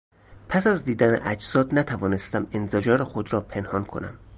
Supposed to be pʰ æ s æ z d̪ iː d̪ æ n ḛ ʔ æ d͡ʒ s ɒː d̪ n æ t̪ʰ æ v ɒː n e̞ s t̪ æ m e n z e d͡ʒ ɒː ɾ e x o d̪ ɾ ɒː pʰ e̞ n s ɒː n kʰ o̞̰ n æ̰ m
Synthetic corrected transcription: pʰ æ s æ z d̪ iː d̪ æ n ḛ ʔ æ d͡ʒ s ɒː d̪ n æ t̪ʰ æ v ɒː n e̞ s t̪ æ m e n z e d͡ʒ ɒː ɾ e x o d̪ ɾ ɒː pʰ e̞ n h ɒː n kʰ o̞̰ n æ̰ m